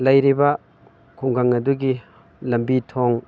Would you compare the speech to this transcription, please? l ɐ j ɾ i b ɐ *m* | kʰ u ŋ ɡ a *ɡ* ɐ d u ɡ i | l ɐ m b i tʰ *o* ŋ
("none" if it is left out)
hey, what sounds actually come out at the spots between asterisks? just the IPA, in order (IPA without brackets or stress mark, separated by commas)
none, ŋ, o